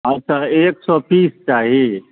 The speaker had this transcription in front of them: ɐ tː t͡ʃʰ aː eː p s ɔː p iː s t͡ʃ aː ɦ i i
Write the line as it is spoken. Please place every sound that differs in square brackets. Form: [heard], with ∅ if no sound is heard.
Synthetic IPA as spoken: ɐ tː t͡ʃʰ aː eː [k] s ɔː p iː s t͡ʃ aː ɦ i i